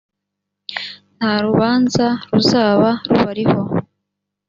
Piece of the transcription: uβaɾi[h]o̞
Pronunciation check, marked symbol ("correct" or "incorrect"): correct